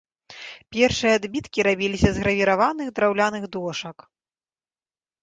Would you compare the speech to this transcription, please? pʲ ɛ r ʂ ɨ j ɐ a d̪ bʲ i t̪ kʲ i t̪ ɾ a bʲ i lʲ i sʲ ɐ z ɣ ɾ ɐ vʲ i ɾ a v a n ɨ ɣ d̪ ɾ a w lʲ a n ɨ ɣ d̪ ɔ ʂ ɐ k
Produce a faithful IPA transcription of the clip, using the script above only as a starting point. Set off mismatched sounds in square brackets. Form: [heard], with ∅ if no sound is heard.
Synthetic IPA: pʲ ɛ r ʂ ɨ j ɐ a d̪ bʲ i t̪ kʲ i [∅] ɾ a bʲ i lʲ i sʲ ɐ z ɣ ɾ ɐ vʲ i ɾ a v a n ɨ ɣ d̪ ɾ a w lʲ a n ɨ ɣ d̪ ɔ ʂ ɐ k

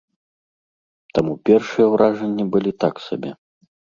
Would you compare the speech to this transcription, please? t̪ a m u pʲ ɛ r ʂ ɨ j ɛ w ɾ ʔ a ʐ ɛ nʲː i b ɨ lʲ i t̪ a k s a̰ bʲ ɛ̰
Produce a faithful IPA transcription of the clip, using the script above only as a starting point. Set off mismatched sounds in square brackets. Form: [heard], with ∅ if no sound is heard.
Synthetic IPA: t̪ a m u pʲ ɛ r ʂ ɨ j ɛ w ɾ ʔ a ʐ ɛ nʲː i b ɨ lʲ i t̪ a k s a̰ bʲ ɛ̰

